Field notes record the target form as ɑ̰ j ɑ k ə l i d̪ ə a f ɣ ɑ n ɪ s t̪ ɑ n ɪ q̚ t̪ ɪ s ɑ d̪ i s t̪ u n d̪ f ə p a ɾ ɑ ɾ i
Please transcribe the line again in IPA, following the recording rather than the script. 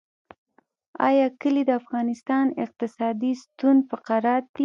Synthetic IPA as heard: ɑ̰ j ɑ k ə l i d̪ ə a f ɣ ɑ n ɪ s t̪ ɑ n ɪ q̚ t̪ ɪ s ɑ d̪ i s t̪ u n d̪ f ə q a ɾ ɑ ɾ i